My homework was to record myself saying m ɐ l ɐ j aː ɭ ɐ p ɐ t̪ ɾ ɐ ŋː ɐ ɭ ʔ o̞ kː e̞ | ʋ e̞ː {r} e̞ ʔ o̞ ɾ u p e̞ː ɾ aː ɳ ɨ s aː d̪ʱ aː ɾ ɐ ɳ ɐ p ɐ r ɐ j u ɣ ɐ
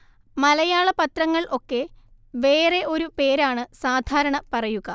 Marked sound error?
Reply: no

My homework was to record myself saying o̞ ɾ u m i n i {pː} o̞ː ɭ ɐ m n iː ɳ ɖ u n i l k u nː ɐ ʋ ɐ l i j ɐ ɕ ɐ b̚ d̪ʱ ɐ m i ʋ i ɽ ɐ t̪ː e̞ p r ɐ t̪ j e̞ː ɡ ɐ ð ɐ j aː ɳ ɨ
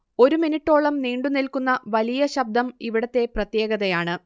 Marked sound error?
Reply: yes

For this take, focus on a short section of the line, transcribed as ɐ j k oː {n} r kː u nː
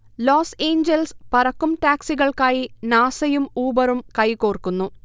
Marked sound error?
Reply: yes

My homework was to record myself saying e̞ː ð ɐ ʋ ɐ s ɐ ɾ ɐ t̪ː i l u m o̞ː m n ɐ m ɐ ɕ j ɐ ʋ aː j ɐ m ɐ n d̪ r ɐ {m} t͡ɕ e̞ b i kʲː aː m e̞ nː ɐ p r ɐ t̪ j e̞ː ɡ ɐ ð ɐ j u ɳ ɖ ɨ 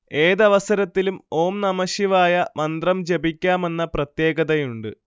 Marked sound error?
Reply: no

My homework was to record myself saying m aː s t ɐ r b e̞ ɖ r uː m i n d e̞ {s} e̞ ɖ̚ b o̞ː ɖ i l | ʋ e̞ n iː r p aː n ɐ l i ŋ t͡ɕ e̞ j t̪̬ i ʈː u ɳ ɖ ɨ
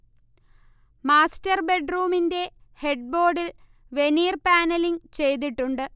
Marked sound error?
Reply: yes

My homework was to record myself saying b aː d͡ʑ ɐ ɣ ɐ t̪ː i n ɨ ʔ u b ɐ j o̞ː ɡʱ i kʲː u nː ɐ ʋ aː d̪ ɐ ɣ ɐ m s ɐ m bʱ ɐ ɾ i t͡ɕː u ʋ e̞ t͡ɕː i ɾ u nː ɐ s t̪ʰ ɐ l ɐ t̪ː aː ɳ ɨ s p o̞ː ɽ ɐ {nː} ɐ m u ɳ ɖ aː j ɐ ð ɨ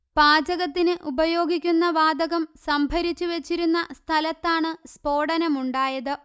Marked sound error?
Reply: yes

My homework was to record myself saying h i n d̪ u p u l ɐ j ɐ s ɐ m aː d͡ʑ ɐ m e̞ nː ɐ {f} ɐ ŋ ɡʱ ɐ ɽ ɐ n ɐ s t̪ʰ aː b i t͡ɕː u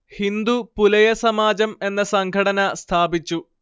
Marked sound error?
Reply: yes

